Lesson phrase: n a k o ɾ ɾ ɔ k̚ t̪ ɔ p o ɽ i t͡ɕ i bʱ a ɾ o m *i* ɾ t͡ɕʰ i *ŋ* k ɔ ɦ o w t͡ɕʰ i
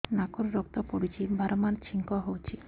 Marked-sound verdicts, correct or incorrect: incorrect: a, correct

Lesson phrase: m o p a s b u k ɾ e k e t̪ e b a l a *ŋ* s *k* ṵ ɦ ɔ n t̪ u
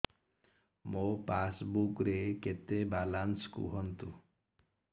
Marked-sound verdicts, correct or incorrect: incorrect: n, correct

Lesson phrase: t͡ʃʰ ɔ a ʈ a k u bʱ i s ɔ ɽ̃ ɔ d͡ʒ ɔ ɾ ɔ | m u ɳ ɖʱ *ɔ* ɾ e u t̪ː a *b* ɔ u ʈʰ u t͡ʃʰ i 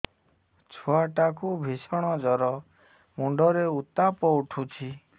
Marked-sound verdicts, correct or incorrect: correct, incorrect: p

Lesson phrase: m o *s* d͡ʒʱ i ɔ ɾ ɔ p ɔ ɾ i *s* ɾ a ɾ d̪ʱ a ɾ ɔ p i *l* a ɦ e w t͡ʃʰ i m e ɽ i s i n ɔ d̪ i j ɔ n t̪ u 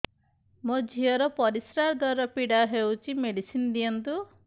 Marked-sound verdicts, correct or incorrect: incorrect: none, correct, incorrect: ɽ

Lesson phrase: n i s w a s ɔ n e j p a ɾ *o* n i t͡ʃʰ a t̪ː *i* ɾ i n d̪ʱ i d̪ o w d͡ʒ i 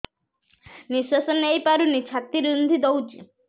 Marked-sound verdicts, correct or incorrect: incorrect: u, correct

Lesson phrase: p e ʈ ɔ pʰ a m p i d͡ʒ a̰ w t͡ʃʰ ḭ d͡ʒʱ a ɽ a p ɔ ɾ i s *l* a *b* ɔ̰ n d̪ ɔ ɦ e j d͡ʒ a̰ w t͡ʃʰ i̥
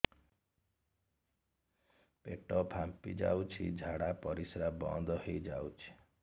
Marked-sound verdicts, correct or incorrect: incorrect: ɾ, correct

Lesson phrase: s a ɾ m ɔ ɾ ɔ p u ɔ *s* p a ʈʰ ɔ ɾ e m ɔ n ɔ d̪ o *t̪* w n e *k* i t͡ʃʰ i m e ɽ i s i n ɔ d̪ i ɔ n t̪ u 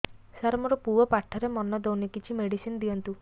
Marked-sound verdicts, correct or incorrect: incorrect: none, incorrect: none, correct

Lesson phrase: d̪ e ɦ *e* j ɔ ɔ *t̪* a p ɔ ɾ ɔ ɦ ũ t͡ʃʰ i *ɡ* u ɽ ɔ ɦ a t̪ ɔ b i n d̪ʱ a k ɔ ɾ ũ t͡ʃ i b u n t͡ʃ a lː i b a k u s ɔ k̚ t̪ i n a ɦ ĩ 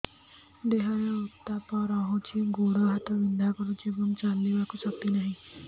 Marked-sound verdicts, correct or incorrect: incorrect: a, correct, correct

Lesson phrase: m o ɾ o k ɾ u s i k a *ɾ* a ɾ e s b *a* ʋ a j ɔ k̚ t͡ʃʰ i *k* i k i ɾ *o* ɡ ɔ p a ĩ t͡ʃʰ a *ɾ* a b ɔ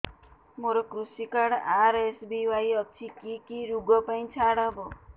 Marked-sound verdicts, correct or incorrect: incorrect: ɽ, incorrect: i, correct, incorrect: u, incorrect: ɽ

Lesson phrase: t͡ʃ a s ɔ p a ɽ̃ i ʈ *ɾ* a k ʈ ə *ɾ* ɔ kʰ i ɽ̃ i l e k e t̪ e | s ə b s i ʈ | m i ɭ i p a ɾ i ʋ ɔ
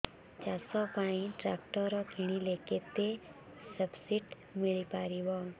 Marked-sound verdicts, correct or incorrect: correct, correct

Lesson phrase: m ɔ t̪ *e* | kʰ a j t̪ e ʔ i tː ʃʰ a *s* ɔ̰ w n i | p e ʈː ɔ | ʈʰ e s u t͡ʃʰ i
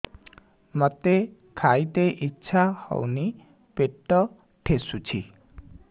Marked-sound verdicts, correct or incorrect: correct, incorrect: h

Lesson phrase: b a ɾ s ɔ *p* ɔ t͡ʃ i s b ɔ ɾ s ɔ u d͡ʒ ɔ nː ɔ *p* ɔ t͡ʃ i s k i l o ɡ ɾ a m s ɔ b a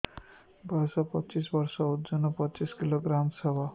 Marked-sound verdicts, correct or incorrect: correct, correct

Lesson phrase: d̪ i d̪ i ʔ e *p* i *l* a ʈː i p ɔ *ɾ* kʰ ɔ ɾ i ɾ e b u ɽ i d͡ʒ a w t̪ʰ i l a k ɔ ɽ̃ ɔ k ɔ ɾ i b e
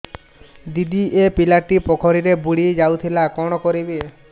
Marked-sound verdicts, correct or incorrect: correct, correct, incorrect: none

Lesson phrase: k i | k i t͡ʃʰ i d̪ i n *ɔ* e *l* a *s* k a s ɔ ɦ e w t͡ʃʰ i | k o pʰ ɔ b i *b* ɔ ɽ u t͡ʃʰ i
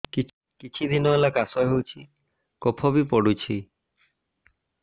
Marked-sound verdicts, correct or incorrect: correct, correct, incorrect: none, incorrect: p

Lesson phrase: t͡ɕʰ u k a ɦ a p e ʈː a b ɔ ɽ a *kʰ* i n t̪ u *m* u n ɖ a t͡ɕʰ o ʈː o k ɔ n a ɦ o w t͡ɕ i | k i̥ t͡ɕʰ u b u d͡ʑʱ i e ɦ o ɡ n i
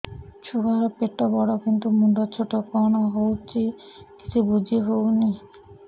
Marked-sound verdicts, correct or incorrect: incorrect: k, correct

